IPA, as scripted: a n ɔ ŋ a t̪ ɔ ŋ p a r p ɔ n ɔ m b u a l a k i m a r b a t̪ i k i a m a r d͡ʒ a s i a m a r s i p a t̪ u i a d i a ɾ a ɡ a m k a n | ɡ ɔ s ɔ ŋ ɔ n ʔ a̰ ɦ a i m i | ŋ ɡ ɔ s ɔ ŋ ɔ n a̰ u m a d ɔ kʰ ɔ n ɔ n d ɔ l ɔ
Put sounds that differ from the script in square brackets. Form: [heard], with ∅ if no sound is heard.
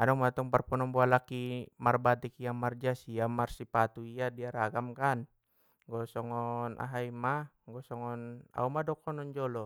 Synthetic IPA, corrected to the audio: a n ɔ [m] a t̪ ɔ ŋ p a r p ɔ n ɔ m b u a l a k i m a r b a t̪ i k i a m a r d͡ʒ a s i a m a r s i p a t̪ u i a d i a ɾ a ɡ a m k a n | ɡ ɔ s ɔ ŋ ɔ n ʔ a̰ ɦ a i m [a] | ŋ ɡ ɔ s ɔ ŋ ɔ n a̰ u m a d ɔ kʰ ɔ n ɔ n [d͡ʒ] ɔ l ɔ